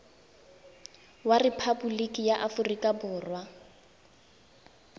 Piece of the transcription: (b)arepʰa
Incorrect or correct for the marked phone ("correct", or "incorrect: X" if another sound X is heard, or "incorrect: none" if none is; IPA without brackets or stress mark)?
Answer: incorrect: w